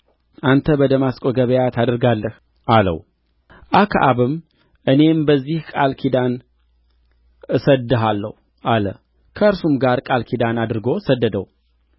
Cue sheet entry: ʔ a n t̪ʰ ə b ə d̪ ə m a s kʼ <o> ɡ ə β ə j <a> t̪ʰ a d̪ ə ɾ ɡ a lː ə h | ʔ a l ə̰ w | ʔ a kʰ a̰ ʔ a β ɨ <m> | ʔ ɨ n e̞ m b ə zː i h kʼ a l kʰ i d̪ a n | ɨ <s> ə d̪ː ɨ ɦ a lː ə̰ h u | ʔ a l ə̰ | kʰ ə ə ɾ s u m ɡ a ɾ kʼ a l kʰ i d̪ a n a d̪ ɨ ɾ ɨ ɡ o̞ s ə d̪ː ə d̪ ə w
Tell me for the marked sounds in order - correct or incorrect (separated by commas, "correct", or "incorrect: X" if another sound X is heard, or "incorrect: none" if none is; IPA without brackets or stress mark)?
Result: correct, correct, correct, correct